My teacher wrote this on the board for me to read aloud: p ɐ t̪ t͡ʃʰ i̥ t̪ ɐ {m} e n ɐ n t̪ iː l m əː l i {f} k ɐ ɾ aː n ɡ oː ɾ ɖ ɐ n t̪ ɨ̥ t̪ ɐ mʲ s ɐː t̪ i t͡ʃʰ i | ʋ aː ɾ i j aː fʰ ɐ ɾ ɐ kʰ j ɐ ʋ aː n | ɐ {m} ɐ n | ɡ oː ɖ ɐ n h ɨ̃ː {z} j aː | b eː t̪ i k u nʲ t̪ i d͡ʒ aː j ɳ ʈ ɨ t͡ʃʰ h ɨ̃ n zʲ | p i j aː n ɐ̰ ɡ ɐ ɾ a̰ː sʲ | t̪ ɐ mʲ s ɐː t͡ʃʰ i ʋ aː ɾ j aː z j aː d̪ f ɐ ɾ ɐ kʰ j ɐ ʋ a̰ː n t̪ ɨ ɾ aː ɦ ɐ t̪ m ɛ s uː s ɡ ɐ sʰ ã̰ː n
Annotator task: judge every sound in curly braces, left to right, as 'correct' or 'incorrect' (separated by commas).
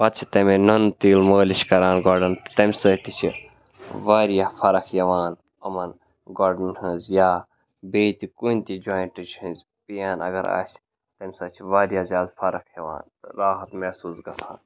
correct, incorrect, correct, correct